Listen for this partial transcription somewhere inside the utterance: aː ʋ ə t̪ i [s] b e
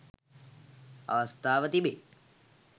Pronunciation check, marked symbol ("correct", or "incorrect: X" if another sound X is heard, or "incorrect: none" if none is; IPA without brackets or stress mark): incorrect: none